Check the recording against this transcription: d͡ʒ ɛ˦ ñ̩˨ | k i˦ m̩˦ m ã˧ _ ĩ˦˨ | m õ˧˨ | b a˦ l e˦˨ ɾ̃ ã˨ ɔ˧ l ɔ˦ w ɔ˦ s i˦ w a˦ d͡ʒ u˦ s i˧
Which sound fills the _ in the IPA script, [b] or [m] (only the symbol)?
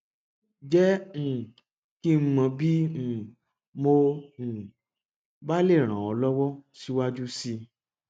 b